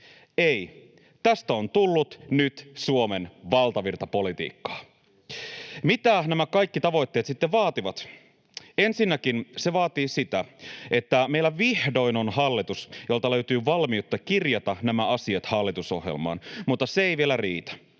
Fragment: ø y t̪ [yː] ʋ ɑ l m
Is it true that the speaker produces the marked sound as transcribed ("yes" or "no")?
yes